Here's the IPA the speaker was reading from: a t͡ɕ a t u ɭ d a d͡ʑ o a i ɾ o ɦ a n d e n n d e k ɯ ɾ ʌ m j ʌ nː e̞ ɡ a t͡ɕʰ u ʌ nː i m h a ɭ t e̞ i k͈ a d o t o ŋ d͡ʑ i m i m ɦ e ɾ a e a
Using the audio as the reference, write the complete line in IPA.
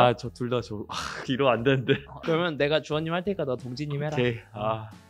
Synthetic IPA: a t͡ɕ ʌ t u ɭ d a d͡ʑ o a i ɾ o a n d e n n d e k ɯ ɾ ʌ m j ʌ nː e̞ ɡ a t͡ɕ u ʌ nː i m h a ɭ tʰ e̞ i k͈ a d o t o ŋ d͡ʑ i ɲ i m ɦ e ɾ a e a